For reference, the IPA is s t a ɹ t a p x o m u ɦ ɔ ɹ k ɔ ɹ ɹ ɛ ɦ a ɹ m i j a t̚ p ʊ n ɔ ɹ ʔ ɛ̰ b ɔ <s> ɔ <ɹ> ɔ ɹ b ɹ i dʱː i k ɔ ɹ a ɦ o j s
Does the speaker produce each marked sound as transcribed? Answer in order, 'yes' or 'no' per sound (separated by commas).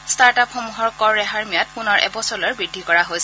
yes, no